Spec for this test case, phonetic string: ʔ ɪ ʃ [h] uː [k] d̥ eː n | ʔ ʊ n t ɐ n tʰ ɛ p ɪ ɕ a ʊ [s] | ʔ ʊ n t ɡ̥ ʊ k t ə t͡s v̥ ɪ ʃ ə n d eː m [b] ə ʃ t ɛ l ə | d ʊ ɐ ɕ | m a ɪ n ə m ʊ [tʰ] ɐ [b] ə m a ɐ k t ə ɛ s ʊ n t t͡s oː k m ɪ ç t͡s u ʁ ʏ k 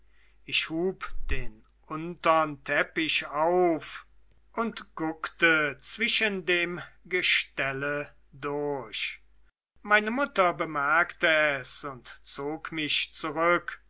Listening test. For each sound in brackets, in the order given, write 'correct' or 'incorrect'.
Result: correct, incorrect, incorrect, incorrect, incorrect, correct

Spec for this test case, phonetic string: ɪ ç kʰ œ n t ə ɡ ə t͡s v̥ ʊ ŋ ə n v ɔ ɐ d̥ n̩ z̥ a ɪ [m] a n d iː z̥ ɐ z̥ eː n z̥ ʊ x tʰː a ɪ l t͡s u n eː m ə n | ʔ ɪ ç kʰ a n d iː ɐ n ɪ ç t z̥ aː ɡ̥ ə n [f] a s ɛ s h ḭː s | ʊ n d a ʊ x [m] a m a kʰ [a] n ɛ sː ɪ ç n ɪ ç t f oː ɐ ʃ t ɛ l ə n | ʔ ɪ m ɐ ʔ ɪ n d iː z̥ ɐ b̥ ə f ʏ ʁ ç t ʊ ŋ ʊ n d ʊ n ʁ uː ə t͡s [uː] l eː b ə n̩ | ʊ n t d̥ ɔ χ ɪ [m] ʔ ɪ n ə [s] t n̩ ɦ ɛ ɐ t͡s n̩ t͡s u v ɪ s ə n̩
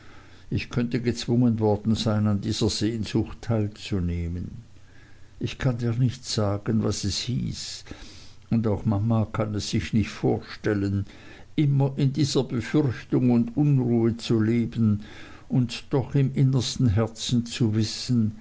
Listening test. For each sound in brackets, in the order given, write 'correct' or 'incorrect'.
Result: incorrect, incorrect, correct, correct, incorrect, correct, correct

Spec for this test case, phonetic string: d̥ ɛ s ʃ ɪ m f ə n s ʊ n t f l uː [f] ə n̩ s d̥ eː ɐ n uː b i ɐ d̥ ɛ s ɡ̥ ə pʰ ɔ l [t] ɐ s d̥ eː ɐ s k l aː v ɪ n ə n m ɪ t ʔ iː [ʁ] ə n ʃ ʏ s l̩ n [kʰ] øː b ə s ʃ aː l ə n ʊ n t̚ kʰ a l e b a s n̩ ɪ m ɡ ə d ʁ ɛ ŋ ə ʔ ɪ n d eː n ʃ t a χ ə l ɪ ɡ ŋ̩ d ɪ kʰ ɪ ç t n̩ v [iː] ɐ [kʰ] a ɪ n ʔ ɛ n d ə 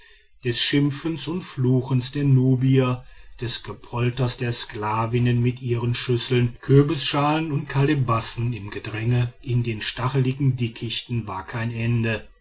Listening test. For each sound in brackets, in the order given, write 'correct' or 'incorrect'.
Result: incorrect, correct, correct, correct, incorrect, correct

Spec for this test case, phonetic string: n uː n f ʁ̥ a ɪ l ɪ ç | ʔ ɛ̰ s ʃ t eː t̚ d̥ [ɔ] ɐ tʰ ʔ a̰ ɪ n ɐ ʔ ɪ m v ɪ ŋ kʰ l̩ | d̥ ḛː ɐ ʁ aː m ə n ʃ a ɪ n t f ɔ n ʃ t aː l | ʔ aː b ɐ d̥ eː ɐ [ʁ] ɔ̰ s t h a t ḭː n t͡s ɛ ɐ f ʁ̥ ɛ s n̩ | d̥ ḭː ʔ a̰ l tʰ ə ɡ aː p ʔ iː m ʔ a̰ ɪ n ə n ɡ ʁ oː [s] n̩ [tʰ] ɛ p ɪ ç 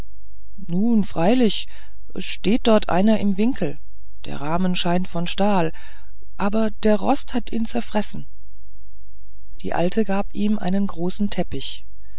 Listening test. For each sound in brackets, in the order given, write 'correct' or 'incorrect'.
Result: correct, correct, correct, correct

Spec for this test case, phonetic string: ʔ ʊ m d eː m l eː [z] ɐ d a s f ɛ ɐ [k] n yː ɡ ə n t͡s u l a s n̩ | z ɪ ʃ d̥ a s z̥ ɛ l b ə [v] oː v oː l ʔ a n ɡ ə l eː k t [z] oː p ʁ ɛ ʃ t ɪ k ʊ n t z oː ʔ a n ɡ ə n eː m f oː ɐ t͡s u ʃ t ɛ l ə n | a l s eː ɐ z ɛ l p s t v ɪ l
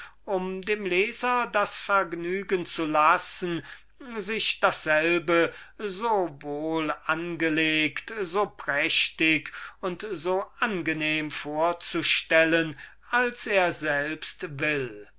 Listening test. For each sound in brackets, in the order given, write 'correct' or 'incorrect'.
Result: correct, incorrect, incorrect, correct

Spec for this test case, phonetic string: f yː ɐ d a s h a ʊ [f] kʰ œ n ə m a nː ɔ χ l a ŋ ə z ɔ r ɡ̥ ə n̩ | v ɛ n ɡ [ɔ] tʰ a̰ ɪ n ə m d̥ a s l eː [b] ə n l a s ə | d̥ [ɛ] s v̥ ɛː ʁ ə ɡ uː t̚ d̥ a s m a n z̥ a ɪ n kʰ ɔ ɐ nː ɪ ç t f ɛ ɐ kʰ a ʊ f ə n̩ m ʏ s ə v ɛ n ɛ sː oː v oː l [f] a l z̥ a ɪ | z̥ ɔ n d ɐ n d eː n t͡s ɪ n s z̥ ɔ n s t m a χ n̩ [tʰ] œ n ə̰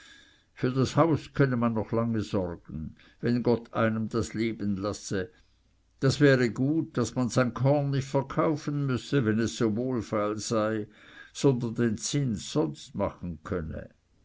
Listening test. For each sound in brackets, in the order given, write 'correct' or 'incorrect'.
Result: incorrect, correct, correct, incorrect, correct, incorrect

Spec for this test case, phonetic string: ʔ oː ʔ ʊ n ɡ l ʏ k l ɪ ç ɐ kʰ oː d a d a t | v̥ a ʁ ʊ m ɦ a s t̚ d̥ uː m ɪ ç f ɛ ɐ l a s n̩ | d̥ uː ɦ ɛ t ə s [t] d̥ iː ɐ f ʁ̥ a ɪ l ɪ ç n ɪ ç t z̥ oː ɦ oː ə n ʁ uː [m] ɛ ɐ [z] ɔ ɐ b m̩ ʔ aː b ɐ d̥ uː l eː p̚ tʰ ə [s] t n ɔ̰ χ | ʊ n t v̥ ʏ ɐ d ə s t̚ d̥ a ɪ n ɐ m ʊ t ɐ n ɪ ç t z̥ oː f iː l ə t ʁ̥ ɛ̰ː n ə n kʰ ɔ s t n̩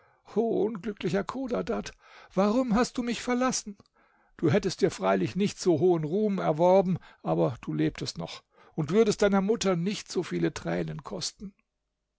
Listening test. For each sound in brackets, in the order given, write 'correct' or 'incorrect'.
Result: correct, correct, incorrect, correct

